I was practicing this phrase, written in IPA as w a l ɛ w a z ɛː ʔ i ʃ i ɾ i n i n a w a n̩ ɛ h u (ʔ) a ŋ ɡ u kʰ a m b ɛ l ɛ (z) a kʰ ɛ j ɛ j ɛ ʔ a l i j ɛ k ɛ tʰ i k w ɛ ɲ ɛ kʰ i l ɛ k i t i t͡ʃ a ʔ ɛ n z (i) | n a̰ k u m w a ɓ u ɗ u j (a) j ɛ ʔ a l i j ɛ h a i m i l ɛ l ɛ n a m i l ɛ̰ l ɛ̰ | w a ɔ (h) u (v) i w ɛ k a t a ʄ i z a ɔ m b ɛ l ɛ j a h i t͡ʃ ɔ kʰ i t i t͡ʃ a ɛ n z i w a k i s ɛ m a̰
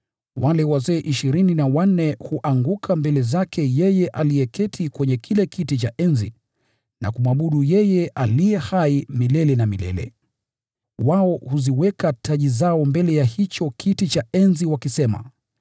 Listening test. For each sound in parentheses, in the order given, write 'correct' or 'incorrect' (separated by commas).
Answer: correct, correct, correct, incorrect, correct, incorrect